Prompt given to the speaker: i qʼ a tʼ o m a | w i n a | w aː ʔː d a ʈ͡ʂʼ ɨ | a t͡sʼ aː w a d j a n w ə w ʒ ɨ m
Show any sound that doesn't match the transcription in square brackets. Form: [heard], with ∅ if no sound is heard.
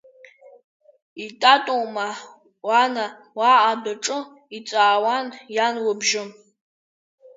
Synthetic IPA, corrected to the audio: i [tʼ] a tʼ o m a | w [a] n a | w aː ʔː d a ʈ͡ʂʼ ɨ | [i] t͡sʼ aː w a [n] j a n w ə [b] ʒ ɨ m